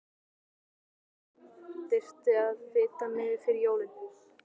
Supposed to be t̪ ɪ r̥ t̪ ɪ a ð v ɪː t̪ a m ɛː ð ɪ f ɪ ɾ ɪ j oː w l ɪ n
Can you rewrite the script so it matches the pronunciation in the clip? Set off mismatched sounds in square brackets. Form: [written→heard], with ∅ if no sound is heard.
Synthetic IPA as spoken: t̪ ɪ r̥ t̪ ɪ a ð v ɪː t̪ a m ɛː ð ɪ f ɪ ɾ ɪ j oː w l ɪ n